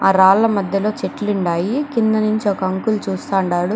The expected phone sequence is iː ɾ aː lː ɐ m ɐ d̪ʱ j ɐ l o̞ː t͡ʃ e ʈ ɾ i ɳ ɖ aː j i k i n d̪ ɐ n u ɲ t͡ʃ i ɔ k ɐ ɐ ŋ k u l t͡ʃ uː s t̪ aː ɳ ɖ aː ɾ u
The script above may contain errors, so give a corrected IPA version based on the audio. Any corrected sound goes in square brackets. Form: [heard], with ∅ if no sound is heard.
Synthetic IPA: [aː] ɾ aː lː ɐ m ɐ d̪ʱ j ɐ l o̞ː t͡ʃ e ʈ [l] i ɳ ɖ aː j i k i n d̪ ɐ n u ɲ t͡ʃ i ɔ k ɐ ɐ ŋ k u l t͡ʃ uː s t̪ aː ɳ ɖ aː [ɽ] u